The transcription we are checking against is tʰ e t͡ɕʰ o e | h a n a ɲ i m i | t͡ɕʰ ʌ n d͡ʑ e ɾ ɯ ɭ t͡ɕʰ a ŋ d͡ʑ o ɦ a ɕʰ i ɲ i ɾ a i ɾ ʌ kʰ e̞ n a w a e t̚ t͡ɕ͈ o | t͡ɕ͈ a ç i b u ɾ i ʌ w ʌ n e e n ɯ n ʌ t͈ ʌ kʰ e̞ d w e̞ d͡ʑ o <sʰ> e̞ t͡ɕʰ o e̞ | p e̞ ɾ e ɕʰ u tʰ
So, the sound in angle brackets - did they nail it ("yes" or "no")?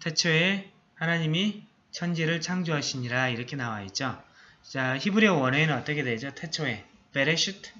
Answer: no